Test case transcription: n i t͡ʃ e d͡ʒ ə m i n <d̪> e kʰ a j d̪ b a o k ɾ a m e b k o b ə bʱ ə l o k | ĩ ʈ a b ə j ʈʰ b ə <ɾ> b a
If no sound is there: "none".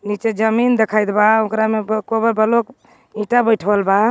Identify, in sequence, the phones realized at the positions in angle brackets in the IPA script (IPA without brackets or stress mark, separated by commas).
d̪, l